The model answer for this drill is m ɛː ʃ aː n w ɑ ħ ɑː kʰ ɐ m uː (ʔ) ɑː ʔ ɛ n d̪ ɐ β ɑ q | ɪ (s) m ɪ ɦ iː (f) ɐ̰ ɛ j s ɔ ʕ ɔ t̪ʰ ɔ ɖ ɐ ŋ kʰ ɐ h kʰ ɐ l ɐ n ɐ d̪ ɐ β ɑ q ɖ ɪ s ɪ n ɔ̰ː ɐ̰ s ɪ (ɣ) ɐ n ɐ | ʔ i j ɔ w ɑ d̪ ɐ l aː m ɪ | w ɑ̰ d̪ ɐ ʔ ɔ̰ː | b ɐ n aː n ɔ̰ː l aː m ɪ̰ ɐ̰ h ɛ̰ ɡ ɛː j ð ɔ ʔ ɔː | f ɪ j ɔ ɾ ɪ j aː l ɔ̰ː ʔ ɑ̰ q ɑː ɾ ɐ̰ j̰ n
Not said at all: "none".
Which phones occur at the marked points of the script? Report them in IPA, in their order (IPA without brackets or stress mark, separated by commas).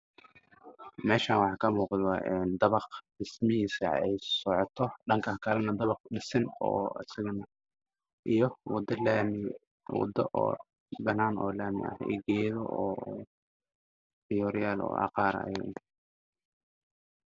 q, s, s, ɣ